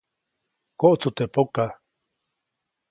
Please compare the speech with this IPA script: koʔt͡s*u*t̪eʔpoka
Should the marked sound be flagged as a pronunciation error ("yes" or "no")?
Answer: no